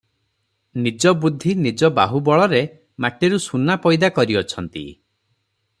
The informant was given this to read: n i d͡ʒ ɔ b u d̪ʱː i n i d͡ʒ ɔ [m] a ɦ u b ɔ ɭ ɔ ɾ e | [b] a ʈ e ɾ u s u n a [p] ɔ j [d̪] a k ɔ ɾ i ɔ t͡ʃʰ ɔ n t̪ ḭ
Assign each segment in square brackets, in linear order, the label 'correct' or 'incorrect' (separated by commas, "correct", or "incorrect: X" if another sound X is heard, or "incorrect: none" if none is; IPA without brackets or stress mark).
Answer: incorrect: b, incorrect: m, correct, correct